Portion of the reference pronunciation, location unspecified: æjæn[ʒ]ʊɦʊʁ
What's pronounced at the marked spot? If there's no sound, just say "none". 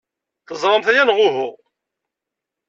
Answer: ʁ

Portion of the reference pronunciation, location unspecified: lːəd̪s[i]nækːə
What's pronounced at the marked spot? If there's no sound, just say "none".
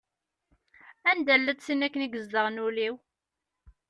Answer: i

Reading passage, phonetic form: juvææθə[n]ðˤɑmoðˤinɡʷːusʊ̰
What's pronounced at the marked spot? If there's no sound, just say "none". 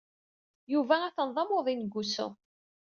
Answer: n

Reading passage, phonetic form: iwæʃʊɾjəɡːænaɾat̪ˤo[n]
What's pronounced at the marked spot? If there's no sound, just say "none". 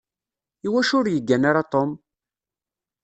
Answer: m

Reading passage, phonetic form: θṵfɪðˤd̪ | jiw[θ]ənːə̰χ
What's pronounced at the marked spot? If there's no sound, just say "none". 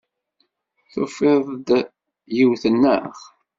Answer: θ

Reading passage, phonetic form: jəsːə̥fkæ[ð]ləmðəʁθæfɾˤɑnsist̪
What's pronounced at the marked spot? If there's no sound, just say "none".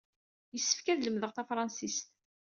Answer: ð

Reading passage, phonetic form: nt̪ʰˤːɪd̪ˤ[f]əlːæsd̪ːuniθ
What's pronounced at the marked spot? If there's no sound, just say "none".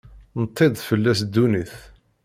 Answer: f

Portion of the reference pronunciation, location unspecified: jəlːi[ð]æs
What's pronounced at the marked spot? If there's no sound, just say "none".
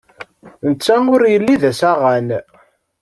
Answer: ð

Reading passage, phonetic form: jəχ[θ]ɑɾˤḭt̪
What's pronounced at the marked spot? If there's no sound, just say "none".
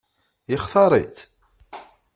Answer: θ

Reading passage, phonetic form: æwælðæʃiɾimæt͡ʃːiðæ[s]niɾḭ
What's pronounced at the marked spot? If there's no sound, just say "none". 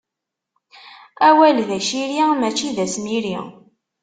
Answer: s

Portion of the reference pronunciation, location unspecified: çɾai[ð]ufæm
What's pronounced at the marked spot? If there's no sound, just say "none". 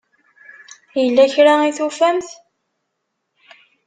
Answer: θ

